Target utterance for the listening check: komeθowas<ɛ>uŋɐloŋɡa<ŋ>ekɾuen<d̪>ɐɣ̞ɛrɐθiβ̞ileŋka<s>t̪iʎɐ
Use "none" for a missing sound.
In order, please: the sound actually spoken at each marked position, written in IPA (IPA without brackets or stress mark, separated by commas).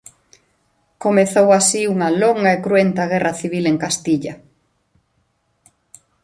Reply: i, none, t̪, s